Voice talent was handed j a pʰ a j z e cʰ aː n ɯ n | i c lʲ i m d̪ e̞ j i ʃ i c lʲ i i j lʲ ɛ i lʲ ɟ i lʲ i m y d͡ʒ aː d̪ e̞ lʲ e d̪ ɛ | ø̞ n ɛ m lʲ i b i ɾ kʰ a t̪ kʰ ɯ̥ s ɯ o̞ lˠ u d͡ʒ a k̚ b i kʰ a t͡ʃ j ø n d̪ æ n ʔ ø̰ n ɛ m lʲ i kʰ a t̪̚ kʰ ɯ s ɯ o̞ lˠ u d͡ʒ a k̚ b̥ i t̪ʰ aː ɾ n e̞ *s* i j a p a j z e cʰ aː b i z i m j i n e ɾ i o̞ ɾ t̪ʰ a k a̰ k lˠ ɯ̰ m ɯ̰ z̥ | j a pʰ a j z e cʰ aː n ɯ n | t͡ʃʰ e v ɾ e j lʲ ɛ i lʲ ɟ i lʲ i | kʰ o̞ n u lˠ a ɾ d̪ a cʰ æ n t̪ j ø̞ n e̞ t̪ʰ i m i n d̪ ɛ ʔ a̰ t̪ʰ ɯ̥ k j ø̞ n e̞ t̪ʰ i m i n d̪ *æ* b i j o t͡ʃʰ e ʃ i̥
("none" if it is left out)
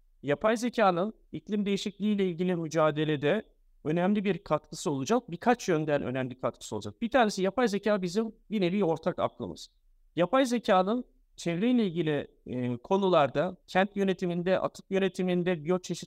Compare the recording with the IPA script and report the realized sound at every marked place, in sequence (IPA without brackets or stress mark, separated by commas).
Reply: s, ɛ